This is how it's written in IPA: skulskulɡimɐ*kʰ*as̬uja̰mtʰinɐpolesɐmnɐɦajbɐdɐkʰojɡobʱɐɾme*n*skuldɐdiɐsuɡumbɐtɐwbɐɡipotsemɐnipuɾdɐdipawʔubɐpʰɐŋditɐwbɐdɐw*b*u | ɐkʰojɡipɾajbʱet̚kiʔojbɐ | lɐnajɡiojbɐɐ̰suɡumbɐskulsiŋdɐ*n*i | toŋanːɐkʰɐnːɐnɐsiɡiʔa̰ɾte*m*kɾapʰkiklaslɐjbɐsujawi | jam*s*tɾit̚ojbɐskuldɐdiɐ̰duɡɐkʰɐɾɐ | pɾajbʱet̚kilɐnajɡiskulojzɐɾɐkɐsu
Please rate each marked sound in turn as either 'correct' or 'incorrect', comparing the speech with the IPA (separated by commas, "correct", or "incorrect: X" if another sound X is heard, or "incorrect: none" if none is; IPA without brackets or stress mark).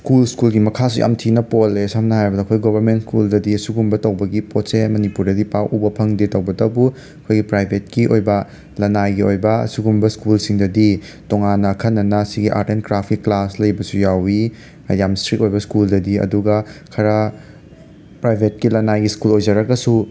correct, correct, correct, incorrect: d, incorrect: n, correct